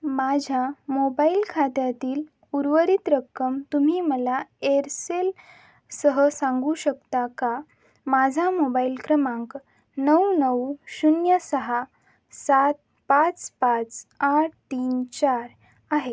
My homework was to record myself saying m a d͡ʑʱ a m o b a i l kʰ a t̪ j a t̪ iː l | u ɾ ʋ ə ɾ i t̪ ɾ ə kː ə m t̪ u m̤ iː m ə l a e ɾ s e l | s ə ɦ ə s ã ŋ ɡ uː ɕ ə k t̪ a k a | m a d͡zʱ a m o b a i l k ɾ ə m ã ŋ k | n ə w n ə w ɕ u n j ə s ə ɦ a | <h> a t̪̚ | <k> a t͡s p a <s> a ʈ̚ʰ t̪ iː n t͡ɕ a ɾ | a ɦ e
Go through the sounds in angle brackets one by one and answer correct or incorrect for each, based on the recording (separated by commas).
incorrect, incorrect, incorrect